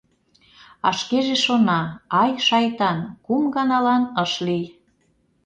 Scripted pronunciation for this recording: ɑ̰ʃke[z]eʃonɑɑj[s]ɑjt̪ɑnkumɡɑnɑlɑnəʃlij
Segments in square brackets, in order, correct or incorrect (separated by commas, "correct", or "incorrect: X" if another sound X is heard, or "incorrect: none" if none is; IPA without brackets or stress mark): incorrect: ʒ, incorrect: ʃ